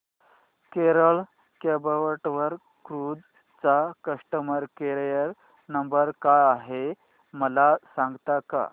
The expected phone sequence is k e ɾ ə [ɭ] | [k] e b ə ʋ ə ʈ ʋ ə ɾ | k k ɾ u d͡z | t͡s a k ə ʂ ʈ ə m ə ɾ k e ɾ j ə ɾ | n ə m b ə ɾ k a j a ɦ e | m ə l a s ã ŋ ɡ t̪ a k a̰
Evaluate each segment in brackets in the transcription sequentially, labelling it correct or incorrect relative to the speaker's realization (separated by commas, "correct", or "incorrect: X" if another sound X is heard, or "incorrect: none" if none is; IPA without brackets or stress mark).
correct, correct